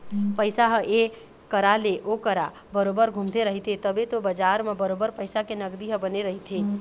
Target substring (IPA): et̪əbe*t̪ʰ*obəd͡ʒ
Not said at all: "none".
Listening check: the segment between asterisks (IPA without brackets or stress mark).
t̪